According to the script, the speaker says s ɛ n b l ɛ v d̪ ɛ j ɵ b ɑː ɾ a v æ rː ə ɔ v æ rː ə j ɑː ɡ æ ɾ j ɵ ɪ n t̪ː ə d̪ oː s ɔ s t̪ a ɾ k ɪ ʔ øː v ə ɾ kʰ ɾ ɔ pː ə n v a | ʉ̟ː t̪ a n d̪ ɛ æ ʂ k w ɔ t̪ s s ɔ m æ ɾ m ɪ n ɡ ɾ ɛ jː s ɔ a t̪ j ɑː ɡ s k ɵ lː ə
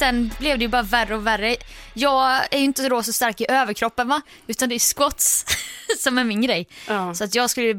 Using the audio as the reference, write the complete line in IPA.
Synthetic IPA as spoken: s ɛ n b l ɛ v d̪ ɛ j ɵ b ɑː ɾ a v æ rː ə ɔ v æ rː ə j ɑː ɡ æ ɾ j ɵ ɪ n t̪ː ə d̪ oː s ɔ s t̪ a ɾ k ɪ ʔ øː v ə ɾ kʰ ɾ ɔ pː ə n v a | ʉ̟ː t̪ a n d̪ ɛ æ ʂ k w ɔ t̪ s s ɔ m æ ɾ m ɪ n ɡ ɾ ɛ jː s ɔ a t̪ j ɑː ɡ s k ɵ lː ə